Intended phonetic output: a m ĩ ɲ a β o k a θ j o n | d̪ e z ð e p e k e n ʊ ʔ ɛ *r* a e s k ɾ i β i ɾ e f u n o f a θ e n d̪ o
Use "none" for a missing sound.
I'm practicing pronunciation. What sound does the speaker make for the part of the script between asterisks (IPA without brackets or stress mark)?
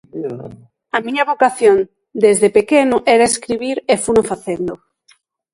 ɾ